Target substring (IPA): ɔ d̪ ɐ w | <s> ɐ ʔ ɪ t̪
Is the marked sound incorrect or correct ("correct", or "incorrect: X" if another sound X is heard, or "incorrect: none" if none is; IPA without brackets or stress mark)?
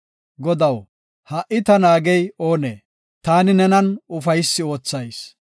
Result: incorrect: h